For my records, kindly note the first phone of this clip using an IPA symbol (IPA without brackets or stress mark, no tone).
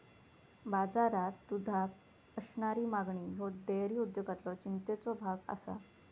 b